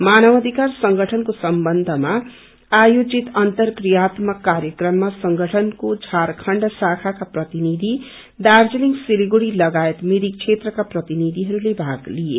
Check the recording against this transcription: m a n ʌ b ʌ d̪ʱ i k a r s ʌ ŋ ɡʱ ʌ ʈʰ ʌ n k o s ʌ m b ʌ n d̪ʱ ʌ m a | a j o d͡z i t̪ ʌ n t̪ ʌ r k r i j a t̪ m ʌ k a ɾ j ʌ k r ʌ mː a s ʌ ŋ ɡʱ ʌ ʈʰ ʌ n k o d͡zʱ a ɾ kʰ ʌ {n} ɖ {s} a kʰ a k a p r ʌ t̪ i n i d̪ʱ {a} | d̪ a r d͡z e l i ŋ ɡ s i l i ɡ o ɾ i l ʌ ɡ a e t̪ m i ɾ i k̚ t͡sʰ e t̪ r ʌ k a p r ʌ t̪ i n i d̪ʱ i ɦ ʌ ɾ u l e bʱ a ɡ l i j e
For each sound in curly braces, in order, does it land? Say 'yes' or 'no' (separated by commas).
no, yes, no